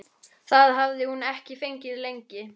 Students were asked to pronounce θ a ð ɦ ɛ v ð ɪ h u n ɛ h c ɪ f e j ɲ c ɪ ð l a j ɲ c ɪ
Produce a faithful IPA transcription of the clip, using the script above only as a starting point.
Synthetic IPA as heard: θ a ð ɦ a v ð ɪ h u n ɛ h c ɪ f e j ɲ c ɪ ð l e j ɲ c ɪ